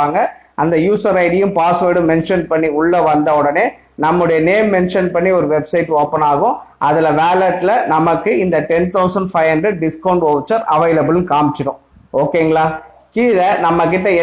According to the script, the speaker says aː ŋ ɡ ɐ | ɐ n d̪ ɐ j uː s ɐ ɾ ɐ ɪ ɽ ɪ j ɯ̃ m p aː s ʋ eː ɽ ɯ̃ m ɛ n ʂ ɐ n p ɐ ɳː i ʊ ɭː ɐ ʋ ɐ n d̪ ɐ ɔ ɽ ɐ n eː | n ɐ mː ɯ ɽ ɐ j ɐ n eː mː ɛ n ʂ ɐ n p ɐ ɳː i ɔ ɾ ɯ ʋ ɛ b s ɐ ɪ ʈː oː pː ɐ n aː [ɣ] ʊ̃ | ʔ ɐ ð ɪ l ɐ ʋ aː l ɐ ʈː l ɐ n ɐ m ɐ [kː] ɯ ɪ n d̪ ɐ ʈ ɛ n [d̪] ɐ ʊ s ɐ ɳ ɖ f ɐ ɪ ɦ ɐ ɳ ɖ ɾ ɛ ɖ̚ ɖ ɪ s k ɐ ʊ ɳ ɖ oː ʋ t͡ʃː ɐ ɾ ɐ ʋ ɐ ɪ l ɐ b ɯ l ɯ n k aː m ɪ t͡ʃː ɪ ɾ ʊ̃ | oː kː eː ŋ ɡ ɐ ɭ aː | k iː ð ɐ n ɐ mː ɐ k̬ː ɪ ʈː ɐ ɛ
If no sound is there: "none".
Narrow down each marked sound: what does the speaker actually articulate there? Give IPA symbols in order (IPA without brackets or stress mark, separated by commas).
ɣ, kː, t̪